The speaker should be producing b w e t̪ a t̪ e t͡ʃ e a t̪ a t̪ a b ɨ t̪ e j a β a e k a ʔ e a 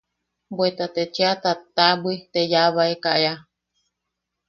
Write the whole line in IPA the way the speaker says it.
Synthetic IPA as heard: b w e t̪ a t̪ e t͡ʃ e a t̪ a t̪ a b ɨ t̪ e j a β a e k a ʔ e a